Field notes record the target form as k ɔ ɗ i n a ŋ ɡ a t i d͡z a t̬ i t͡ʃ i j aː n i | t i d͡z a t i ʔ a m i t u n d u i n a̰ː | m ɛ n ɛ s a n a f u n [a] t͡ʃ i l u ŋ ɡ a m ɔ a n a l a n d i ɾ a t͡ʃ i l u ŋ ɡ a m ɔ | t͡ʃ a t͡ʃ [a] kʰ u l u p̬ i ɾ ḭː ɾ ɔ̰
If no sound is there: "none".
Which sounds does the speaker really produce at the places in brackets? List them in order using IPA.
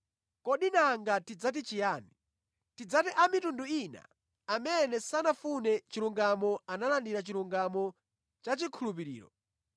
ɛ, i

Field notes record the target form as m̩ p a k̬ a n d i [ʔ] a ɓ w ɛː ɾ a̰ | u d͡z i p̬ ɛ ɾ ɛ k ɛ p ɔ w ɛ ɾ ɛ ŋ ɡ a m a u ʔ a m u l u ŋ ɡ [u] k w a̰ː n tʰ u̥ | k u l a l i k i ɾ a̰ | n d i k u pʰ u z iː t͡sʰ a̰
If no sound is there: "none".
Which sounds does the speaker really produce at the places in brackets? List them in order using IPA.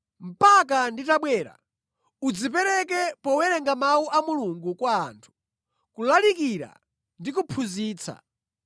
t, u

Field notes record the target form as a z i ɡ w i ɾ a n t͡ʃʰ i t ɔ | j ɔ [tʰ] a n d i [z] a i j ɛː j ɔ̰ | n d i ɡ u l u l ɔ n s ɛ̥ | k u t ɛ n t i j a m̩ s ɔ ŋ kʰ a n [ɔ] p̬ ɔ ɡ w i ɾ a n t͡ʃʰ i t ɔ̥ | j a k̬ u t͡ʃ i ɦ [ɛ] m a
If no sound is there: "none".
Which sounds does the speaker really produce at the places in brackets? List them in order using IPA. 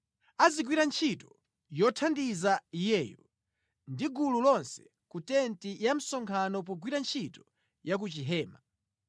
tʰ, z, ɔ, ɛː

